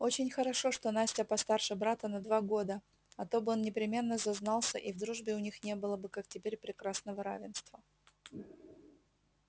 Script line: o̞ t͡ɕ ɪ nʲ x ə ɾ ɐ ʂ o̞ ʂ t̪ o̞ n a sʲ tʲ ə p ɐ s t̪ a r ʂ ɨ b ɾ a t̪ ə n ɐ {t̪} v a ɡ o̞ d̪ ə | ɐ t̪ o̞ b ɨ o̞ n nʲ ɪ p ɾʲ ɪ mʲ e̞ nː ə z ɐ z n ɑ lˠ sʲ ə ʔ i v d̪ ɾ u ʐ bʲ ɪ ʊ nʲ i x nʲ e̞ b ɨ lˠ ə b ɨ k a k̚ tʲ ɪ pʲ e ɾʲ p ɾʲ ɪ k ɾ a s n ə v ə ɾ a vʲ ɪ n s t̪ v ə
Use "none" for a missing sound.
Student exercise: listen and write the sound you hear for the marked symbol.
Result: d̪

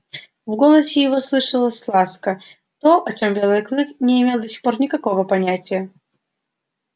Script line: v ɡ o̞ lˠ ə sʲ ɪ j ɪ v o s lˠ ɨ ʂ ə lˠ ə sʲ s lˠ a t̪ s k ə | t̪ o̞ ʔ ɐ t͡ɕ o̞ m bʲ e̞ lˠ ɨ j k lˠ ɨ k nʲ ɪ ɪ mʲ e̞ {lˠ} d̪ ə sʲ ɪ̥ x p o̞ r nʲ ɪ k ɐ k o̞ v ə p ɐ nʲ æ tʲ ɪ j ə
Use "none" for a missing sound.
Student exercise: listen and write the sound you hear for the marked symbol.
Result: lˠ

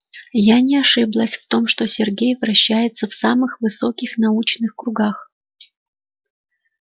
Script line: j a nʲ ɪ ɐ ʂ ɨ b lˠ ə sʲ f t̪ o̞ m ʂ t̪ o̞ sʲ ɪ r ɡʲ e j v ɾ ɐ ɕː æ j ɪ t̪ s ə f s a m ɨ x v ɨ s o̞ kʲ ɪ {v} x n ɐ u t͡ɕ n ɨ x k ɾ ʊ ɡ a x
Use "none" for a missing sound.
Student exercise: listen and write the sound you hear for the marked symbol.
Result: none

